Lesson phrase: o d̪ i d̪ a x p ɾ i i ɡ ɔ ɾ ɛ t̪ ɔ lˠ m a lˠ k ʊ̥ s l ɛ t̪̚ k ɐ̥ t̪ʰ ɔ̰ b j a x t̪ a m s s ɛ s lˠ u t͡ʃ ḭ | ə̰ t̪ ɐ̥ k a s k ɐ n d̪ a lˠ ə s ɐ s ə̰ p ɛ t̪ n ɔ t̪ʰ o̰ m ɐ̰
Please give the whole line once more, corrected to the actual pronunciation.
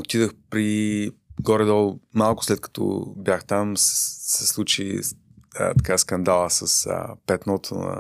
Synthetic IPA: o t̪ i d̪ ə x p ɾ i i ɡ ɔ ɾ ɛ d̪ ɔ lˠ m a lˠ k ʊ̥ s l ɛ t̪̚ k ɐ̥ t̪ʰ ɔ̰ b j a x t̪ a m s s ɛ s lˠ u t͡ʃ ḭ | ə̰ t̪ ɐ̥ k a s k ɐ n d̪ a lˠ ə s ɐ s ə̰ p ɛ t̪ n ɔ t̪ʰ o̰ n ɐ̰